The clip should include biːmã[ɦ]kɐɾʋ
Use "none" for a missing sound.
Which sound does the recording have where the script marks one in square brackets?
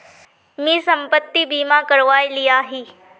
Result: none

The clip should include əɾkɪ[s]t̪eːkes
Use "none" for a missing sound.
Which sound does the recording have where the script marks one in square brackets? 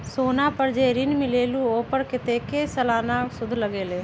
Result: none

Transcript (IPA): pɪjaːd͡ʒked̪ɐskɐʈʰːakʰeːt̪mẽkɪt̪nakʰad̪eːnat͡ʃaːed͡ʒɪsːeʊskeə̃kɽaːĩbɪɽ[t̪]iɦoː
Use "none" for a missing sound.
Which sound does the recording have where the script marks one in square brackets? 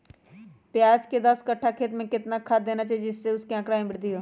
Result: d̪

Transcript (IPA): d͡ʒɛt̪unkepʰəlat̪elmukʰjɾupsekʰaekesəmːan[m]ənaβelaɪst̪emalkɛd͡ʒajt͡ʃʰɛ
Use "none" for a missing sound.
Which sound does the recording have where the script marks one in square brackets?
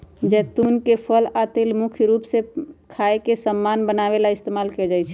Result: b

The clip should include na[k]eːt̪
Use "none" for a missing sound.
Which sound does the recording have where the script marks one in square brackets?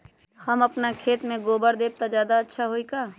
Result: kʰ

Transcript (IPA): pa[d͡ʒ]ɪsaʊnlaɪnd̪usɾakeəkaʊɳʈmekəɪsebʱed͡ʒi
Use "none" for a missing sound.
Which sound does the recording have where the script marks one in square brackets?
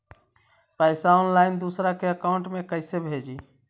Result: none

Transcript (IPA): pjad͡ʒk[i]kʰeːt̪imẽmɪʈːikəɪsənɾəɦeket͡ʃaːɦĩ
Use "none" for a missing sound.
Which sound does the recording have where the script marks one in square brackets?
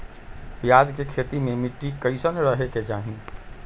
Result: e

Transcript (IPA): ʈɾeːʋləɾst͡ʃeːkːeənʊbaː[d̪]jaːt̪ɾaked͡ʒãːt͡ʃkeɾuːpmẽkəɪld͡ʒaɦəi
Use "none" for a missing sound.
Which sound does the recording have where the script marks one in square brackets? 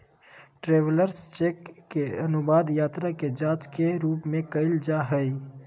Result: d̪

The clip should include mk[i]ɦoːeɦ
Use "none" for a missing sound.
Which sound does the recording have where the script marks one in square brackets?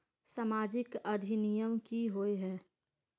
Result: i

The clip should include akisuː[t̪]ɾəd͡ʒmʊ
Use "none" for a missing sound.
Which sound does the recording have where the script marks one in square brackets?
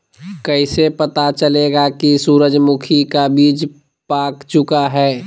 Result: none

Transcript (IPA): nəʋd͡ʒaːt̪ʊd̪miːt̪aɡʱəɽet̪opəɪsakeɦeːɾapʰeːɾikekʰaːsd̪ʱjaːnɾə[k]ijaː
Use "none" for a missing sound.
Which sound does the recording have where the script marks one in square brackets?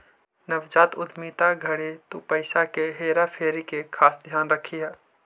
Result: kʰ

